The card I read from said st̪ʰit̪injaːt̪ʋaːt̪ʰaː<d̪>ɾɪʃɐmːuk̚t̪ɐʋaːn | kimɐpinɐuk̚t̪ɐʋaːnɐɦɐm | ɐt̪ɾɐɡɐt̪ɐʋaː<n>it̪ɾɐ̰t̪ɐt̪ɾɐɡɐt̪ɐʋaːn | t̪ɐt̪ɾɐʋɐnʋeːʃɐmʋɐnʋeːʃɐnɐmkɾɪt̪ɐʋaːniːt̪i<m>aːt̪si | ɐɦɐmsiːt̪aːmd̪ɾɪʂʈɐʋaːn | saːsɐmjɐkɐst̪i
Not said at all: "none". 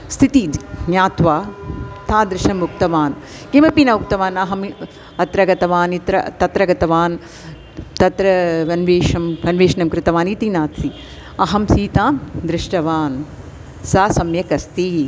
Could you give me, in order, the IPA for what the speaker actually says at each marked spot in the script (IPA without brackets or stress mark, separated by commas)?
d̪, n, n